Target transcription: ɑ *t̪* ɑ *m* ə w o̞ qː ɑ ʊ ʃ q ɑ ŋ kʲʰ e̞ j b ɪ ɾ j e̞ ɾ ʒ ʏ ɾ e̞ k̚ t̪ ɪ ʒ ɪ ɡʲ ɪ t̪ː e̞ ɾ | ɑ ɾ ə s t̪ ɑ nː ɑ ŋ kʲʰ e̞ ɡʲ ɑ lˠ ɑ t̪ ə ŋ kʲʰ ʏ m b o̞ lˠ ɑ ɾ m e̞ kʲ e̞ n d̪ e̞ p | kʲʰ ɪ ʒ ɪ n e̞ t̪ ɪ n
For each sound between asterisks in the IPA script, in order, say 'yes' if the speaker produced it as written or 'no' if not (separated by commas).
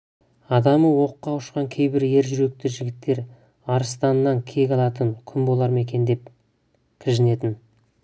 no, yes